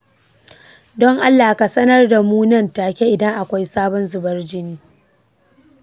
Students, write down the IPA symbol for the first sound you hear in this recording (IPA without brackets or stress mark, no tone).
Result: d